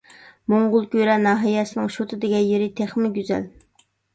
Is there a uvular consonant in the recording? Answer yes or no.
yes